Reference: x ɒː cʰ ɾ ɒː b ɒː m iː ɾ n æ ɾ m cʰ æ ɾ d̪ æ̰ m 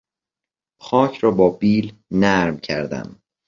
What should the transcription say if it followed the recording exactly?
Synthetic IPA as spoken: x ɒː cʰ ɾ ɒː b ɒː b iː l n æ ɾ m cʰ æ ɾ d̪ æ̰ m